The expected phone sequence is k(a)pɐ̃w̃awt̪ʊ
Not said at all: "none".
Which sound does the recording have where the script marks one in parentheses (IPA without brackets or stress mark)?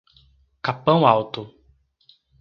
a